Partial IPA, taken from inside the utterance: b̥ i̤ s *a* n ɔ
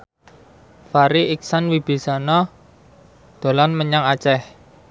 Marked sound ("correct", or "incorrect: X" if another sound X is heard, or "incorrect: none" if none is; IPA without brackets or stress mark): correct